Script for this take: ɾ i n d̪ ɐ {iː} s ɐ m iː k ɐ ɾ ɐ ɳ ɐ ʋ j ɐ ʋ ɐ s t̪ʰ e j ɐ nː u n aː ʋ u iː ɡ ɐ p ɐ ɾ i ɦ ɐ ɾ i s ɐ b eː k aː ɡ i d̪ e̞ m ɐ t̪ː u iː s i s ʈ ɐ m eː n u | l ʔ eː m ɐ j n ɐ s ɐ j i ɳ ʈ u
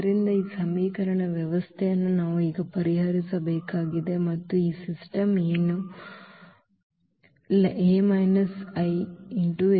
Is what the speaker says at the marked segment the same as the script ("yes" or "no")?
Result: yes